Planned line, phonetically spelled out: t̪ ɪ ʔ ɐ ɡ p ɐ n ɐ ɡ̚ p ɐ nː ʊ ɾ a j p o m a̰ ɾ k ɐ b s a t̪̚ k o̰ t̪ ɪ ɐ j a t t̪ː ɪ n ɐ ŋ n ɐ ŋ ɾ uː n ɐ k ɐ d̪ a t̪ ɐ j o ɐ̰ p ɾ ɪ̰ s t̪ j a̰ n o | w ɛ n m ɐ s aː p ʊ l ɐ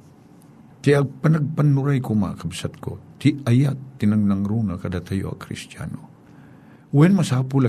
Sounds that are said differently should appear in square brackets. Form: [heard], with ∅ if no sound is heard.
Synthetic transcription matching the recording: t̪ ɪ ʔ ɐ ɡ p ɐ n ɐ ɡ̚ p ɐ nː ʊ ɾ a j [k] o m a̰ [∅] k ɐ b s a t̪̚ k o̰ t̪ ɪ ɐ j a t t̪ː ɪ n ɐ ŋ n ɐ ŋ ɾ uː n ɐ k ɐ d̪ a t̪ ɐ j o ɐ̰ [k] ɾ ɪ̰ s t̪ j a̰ n o | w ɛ n m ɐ s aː p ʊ l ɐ